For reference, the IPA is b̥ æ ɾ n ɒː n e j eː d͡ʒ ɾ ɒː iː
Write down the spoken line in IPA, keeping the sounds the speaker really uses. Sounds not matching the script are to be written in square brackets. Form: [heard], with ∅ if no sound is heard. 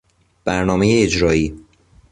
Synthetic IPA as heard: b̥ æ ɾ n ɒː [m] e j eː d͡ʒ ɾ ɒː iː